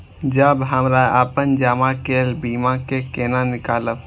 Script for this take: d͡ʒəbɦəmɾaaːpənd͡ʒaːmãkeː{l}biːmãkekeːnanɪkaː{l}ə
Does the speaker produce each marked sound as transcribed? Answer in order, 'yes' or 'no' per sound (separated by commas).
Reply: yes, yes